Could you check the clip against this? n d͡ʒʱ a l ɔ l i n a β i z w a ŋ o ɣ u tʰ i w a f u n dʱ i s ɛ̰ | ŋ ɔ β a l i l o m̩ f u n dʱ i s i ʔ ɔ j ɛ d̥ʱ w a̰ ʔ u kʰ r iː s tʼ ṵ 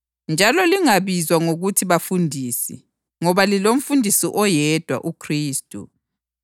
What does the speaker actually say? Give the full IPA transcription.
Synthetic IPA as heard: n d͡ʒʱ a l ɔ l i ŋ a β i z w a ŋ o ɣ u tʰ i β a f u n dʱ i s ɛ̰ | ŋ ɔ β a l i l o m̩ f u n dʱ i s i ʔ ɔ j ɛ d̥ʱ w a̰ ʔ u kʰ r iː s tʼ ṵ